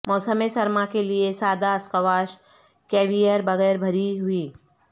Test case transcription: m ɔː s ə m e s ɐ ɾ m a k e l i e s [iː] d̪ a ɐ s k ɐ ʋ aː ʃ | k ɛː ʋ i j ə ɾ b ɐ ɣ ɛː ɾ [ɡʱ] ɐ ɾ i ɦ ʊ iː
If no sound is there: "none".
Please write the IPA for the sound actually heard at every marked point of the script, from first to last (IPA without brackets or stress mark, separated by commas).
aː, bʱ